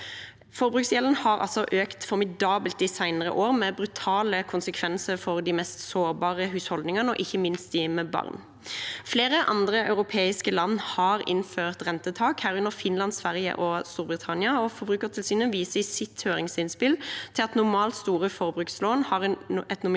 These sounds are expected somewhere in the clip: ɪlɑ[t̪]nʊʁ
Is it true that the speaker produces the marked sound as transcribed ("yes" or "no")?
yes